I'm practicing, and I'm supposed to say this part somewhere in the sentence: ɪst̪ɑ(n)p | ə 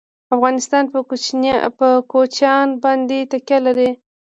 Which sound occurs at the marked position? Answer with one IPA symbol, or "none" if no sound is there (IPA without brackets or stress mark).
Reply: n